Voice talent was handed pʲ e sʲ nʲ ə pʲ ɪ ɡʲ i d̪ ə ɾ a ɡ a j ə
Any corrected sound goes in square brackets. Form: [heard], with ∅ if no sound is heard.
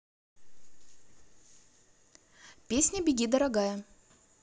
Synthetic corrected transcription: pʲ e sʲ nʲ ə [bʲ] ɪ ɡʲ i d̪ ə ɾ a ɡ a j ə